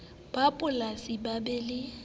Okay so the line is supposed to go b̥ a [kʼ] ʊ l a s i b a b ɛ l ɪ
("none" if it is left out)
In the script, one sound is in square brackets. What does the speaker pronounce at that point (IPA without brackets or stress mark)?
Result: pʼ